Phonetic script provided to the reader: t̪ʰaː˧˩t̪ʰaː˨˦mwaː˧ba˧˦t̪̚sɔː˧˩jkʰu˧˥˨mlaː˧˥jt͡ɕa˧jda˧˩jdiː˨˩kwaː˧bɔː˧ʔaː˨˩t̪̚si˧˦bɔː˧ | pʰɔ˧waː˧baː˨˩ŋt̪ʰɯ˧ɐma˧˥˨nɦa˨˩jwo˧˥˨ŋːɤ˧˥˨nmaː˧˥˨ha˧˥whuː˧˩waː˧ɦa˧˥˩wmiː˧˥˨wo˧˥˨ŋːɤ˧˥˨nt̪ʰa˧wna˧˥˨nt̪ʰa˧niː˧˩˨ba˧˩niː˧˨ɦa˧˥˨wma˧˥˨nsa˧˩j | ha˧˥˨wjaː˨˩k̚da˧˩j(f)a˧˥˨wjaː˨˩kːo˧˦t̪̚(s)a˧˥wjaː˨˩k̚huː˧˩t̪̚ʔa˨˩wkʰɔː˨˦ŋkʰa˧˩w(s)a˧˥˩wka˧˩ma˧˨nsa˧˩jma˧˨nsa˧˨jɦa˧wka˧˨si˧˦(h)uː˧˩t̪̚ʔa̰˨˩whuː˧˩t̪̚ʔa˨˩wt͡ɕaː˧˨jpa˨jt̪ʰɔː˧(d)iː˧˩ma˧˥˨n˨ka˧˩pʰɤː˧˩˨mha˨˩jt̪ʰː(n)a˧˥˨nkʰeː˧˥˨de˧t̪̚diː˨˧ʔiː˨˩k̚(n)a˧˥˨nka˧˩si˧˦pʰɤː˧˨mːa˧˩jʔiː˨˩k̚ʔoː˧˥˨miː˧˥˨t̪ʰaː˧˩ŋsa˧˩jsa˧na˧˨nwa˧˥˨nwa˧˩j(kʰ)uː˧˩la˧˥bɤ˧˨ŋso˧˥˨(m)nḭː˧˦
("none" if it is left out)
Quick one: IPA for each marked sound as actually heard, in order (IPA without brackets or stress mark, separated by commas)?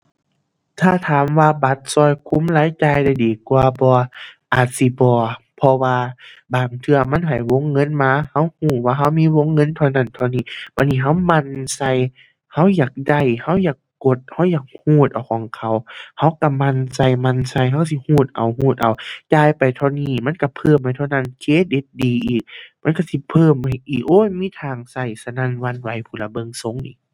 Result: h, h, h, h, n, n, m, pʰ, ŋ